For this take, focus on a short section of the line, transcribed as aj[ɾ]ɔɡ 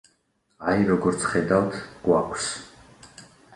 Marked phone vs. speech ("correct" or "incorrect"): correct